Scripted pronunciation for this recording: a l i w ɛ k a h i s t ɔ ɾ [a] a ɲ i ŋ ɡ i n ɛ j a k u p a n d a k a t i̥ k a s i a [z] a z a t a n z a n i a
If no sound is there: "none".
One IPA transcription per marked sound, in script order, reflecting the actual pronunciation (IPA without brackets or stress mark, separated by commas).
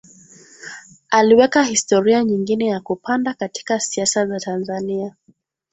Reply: i, s